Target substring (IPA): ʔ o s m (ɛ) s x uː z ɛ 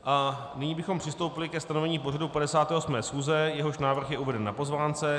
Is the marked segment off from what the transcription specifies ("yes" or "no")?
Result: yes